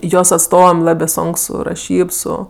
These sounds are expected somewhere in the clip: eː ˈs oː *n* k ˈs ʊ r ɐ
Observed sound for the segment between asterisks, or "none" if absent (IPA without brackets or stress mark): ŋ